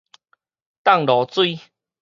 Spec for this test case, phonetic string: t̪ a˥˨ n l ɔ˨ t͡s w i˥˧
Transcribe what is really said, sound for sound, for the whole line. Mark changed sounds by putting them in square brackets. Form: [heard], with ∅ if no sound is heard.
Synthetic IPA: t̪ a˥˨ [ŋ] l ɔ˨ t͡s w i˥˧

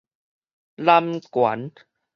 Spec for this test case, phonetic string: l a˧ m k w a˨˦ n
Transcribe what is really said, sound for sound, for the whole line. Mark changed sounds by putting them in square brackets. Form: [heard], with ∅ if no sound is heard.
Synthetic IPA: l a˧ m k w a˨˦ n

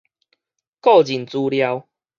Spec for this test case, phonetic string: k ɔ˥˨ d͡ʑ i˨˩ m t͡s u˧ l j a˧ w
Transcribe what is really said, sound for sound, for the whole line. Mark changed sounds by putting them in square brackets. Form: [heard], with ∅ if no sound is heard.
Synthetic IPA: k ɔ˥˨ d͡ʑ i˨˩ [n] t͡s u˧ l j a˧ w

